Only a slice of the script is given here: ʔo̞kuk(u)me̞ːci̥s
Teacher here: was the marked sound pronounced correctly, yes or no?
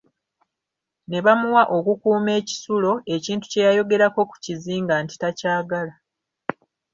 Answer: no